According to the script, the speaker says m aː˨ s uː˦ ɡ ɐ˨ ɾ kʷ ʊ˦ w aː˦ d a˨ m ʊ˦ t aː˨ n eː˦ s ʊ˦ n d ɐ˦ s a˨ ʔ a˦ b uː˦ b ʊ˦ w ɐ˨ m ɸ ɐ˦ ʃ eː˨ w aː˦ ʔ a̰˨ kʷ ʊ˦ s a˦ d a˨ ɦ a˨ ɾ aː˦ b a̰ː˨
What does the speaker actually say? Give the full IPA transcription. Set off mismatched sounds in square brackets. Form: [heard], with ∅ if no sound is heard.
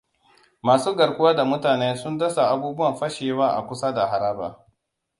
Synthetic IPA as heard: m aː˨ s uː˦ ɡ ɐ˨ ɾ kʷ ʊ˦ w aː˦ d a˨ m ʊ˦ t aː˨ n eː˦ s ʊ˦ n d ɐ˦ s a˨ ʔ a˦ b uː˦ b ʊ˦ w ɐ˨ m ɸ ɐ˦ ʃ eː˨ w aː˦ ʔ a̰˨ kʷ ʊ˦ s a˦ d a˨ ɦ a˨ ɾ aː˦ b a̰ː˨

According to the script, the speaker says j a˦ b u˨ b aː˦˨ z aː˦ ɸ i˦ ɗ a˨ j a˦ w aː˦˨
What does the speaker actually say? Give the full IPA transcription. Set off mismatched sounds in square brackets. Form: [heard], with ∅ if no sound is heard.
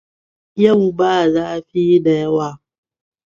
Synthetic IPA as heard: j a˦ [w] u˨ b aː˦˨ z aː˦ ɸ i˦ [d] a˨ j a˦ w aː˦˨

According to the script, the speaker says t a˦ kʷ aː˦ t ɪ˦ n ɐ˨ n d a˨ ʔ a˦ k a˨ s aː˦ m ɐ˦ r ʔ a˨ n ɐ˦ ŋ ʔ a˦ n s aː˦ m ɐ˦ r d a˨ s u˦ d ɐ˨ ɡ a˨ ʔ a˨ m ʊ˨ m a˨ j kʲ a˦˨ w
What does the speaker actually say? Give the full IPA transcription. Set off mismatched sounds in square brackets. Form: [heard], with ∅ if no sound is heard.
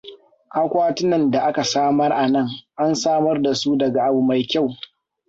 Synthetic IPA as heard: [ʔ] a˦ kʷ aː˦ t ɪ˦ n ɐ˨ n d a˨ ʔ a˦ k a˨ s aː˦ m ɐ˦ r ʔ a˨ n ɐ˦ ŋ ʔ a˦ n s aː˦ m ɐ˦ r d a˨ s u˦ d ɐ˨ ɡ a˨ ʔ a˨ [b] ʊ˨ m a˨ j kʲ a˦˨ w

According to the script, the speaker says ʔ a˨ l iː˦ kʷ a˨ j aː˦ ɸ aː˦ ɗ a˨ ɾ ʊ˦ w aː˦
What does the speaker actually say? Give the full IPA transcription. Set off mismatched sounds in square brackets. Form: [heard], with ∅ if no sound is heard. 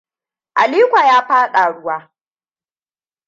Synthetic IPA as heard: ʔ a˨ l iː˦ kʷ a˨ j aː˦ ɸ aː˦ ɗ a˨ [ɽ] ʊ˦ w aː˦

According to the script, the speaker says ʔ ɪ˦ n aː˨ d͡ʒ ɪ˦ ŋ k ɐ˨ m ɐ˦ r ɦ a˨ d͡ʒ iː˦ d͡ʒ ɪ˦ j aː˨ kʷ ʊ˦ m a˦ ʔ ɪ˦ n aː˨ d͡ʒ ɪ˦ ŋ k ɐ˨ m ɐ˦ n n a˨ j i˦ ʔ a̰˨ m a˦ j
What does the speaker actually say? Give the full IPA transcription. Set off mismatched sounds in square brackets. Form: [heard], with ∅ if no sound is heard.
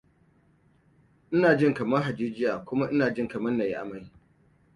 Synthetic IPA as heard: ʔ ɪ˦ n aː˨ d͡ʒ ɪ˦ ŋ k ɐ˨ m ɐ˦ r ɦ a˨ d͡ʒ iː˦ d͡ʒ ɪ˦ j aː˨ kʷ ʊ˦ m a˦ ʔ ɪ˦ n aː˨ d͡ʒ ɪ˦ ŋ k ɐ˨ m ɐ˦ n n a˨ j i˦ ʔ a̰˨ m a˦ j

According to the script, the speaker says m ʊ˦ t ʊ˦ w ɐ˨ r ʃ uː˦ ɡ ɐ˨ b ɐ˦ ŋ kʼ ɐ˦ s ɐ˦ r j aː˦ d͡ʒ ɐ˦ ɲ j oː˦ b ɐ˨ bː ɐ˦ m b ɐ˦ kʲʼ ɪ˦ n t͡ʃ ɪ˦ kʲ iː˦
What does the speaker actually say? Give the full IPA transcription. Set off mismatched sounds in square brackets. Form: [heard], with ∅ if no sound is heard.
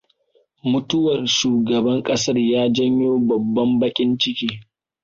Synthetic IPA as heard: m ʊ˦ t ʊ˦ w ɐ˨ r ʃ [uː˨] ɡ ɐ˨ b ɐ˦ ŋ kʼ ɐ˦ s ɐ˦ r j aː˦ d͡ʒ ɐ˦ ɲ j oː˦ b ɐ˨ bː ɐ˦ m b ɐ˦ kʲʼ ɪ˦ n t͡ʃ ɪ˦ kʲ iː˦

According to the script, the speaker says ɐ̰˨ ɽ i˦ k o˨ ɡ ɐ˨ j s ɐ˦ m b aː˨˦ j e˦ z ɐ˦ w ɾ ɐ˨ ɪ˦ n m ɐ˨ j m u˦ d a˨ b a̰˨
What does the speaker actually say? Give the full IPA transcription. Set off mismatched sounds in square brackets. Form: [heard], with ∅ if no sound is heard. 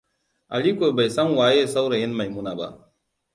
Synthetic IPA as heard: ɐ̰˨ [l] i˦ k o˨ [b] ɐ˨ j s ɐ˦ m [w] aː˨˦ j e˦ [s] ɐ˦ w ɾ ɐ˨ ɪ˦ n m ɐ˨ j m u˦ [n] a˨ b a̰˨

